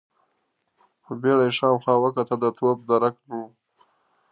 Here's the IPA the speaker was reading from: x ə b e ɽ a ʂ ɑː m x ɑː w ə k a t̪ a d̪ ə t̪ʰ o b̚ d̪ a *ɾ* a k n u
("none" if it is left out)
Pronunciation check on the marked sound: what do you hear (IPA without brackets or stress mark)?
ɾ